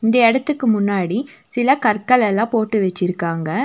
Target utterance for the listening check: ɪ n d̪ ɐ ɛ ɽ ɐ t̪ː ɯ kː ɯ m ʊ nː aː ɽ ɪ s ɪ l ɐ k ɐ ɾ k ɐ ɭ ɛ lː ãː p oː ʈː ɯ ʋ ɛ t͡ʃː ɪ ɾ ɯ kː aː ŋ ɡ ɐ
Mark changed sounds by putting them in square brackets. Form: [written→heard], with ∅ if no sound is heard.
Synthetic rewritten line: ɪ n d̪ ɐ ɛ ɽ ɐ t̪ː ɯ kː ɯ m ʊ nː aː ɽ [ɪ→i] s ɪ l ɐ k ɐ ɾ k ɐ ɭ ɛ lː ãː p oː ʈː ɯ ʋ ɛ t͡ʃː ɪ ɾ ɯ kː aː ŋ ɡ ɐ